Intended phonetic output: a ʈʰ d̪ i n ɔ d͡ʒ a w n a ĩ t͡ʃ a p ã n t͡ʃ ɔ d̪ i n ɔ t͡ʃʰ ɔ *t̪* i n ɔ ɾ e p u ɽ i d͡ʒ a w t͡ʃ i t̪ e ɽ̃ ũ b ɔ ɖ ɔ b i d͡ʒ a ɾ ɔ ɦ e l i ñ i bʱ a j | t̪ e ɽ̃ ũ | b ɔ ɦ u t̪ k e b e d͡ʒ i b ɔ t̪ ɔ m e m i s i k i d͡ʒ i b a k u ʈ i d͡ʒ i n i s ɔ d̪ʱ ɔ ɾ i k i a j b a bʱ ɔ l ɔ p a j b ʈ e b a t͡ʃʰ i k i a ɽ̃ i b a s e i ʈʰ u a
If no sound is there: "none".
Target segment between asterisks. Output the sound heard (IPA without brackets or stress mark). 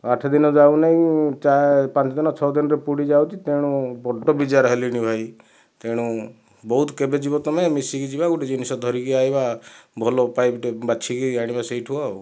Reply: d̪